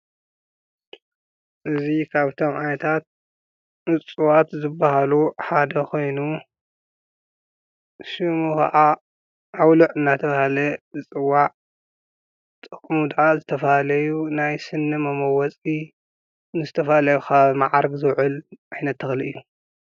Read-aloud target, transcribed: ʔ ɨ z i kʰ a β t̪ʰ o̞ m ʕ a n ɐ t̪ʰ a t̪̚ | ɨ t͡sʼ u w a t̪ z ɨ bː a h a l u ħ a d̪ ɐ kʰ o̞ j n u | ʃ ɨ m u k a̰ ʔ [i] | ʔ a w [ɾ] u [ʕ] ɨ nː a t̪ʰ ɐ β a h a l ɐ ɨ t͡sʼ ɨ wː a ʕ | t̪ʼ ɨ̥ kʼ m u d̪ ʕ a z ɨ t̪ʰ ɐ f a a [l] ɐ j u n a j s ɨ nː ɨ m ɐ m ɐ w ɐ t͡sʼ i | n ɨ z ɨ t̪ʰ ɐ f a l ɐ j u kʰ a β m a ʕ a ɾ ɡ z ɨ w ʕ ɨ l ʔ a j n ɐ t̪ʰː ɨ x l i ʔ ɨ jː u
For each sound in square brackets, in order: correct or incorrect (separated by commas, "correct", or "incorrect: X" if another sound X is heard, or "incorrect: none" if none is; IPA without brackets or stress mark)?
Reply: incorrect: a, incorrect: l, correct, correct